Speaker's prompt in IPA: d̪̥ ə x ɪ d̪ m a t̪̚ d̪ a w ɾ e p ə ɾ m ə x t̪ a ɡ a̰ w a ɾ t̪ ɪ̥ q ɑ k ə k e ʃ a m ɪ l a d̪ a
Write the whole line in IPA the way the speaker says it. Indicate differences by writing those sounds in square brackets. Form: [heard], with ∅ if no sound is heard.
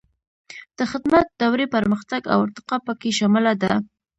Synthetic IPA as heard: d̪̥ ə x ɪ d̪ m a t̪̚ d̪ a w ɾ e p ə ɾ m ə x t̪ a ɡ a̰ w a ɾ t̪ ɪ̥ q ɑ [p] ə k e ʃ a m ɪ l a d̪ a